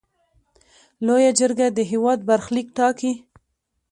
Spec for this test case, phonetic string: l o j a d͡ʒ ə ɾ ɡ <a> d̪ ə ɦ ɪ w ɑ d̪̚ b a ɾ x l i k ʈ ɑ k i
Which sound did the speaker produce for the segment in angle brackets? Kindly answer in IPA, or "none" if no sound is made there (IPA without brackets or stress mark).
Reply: a